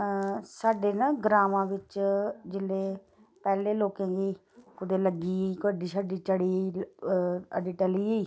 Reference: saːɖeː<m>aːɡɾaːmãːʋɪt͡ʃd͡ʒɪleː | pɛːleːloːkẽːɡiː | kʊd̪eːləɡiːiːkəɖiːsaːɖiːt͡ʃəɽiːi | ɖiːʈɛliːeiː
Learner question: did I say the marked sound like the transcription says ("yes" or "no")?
no